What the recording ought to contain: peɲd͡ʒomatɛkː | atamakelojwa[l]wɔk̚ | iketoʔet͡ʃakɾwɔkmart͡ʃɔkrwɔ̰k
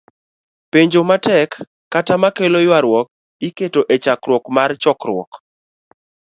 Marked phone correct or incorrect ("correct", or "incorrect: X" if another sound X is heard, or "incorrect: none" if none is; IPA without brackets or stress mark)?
incorrect: ɾ